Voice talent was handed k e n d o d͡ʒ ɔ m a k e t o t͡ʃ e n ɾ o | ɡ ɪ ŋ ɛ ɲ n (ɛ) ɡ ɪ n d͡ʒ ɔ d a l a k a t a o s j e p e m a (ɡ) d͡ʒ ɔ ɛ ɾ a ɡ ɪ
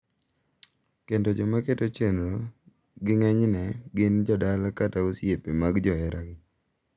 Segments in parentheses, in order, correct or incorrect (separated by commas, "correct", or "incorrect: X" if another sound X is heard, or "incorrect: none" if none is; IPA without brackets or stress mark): correct, correct